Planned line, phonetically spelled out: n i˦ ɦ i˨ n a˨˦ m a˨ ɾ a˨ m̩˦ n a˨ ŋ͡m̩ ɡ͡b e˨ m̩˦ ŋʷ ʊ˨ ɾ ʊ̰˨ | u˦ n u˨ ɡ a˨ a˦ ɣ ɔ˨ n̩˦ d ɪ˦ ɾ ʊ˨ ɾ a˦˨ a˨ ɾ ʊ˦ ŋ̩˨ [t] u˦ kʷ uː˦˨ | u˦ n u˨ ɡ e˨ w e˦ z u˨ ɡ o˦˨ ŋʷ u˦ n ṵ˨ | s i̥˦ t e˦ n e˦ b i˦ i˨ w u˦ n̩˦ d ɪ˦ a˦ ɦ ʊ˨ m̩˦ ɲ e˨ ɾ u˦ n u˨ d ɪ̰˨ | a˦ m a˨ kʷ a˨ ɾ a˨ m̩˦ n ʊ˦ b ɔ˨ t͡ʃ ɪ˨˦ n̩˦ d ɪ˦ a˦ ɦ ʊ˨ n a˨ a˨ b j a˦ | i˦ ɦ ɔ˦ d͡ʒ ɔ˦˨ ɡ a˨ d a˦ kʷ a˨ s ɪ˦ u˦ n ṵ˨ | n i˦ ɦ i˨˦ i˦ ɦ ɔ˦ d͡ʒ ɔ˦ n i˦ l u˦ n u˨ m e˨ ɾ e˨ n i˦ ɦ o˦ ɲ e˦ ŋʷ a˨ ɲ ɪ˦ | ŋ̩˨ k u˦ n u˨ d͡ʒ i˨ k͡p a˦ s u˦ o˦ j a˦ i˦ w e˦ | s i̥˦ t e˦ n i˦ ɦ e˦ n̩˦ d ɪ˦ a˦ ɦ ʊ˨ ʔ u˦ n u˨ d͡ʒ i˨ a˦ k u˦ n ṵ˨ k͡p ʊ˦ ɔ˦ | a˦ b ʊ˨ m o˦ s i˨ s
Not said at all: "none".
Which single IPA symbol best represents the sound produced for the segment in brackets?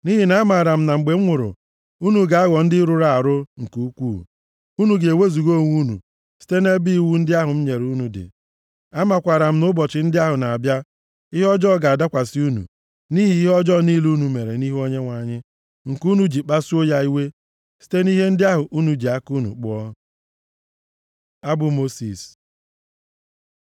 k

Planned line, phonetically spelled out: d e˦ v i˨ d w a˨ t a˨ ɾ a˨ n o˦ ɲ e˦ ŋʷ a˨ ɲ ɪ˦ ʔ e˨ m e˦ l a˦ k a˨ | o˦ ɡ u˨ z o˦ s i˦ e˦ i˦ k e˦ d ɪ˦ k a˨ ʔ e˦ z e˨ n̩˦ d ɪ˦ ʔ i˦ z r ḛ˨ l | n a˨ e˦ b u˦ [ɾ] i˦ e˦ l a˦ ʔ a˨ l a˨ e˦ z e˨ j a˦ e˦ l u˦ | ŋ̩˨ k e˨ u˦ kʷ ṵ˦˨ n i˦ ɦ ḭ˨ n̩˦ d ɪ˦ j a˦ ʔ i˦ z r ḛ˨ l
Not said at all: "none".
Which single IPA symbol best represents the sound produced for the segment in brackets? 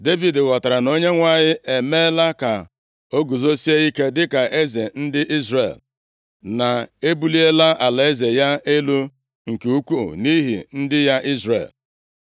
l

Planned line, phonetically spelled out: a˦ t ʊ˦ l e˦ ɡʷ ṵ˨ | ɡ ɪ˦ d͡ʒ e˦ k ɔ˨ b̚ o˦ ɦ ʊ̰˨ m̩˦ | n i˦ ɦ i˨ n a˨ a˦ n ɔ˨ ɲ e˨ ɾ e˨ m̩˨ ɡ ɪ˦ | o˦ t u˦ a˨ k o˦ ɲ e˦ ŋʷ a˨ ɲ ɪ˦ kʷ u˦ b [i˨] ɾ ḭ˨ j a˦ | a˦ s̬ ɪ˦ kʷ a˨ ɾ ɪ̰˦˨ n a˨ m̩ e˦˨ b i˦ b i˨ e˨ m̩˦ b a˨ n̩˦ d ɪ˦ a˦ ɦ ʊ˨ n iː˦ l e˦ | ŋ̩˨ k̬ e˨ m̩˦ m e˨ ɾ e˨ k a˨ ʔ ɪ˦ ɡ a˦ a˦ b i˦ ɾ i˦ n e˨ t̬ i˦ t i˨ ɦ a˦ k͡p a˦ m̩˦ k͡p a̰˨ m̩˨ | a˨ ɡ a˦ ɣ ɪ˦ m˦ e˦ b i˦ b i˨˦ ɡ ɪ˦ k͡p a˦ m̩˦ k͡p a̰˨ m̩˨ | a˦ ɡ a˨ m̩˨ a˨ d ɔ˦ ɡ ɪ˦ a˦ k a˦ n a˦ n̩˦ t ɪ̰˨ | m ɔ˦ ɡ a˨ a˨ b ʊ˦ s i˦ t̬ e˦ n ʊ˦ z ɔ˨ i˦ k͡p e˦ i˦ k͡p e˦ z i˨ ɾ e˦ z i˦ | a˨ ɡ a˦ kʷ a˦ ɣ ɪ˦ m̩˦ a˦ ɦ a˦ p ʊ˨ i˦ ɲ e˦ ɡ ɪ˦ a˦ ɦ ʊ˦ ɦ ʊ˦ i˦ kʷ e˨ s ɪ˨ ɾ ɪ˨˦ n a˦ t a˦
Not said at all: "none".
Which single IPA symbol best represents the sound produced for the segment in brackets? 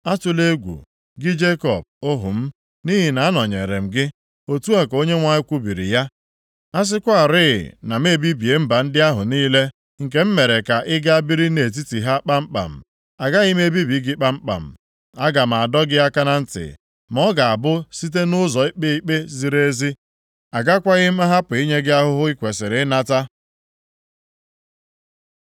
i˨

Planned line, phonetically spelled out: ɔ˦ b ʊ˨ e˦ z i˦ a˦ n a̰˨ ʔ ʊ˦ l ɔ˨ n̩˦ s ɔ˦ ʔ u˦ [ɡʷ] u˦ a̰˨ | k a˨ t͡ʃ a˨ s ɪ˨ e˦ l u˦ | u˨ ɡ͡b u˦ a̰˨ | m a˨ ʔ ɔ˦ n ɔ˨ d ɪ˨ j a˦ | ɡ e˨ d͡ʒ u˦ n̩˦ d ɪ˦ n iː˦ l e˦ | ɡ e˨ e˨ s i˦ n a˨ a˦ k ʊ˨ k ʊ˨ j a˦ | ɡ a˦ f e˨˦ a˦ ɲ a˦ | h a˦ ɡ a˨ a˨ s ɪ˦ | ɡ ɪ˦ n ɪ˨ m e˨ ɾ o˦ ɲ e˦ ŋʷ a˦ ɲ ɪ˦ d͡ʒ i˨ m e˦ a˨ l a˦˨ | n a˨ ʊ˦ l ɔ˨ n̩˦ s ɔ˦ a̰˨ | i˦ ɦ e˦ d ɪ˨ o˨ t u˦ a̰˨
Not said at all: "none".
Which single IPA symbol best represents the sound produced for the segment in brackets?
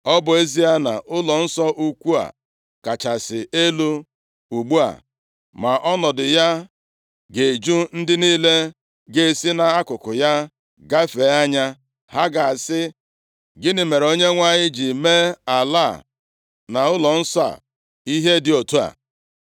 kʷ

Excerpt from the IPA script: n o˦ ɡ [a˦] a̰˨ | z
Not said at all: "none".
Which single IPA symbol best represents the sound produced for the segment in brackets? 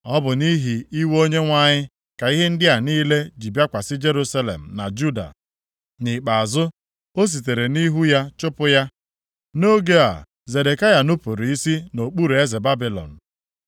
e˦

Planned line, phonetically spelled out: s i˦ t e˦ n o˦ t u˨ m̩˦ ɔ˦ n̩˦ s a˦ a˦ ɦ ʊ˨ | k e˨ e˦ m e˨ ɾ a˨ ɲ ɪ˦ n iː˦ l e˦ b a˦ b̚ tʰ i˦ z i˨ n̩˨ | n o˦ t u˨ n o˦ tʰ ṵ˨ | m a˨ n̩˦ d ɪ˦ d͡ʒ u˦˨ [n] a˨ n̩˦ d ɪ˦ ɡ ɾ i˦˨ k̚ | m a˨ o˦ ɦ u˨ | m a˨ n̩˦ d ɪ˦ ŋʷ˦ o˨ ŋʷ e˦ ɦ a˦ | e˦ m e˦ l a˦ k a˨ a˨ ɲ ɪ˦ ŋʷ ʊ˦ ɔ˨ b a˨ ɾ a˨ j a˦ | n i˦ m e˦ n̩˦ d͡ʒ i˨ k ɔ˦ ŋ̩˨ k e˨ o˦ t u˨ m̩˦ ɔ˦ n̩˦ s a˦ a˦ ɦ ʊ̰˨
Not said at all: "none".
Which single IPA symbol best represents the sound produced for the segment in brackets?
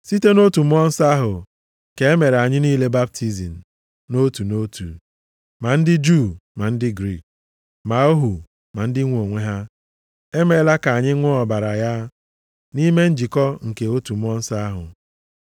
m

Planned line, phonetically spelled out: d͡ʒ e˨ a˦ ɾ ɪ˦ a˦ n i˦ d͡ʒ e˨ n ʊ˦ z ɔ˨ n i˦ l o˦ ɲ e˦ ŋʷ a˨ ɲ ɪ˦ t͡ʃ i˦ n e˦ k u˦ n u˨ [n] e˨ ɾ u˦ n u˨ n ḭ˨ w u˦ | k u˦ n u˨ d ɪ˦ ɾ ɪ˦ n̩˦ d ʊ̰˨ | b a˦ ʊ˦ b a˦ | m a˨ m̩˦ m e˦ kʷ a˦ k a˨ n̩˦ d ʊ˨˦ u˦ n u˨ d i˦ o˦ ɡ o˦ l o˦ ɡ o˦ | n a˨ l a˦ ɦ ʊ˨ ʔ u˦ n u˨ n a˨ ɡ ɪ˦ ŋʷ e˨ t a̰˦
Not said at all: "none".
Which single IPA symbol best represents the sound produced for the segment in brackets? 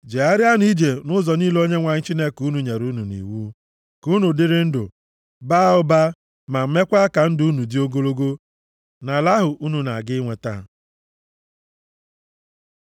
ɲ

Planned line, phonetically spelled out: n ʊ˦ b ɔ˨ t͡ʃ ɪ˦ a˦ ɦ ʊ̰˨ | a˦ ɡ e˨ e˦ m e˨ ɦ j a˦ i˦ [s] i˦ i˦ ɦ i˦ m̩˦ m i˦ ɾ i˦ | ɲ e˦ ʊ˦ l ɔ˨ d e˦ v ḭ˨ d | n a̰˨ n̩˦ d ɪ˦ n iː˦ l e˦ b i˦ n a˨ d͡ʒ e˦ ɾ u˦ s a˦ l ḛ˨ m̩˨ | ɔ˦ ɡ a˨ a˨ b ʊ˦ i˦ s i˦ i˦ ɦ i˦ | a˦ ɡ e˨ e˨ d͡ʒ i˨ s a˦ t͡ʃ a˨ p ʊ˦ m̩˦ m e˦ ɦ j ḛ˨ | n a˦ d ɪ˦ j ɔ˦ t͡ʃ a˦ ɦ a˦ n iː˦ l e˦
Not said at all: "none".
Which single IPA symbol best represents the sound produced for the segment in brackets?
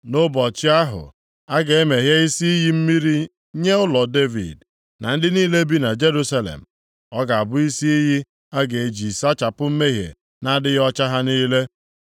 s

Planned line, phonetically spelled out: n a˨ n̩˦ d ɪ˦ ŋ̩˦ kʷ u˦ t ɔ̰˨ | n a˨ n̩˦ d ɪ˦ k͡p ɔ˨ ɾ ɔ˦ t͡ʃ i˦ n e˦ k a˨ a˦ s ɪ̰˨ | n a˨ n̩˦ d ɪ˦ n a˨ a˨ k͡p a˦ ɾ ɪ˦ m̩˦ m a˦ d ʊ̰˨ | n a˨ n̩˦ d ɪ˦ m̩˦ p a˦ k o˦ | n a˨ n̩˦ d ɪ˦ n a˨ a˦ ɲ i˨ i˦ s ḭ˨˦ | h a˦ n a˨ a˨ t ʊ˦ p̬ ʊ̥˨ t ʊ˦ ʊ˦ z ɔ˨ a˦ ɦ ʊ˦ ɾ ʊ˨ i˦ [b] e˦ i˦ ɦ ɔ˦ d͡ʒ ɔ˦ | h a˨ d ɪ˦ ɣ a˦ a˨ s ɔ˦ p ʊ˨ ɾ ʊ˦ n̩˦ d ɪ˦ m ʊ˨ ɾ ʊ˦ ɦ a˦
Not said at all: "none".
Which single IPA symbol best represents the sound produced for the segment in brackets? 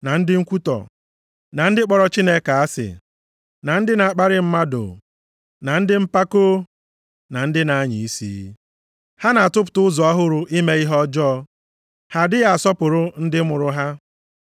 m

